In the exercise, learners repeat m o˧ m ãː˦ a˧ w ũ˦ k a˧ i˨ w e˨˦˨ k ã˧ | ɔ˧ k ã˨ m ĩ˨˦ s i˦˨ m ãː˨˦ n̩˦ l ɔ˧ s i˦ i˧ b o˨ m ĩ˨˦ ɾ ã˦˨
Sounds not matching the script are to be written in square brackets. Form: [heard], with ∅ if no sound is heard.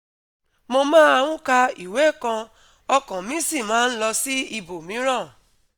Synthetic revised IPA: m o˧ m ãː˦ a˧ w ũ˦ k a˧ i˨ w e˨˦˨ k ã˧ | ɔ˧ k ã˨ m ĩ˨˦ s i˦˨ m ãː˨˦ n̩˦ l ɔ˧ s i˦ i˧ b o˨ m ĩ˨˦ ɾ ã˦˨